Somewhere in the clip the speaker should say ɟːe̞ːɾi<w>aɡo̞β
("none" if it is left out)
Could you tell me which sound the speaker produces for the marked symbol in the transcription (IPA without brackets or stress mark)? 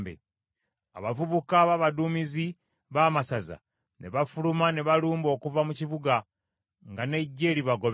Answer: β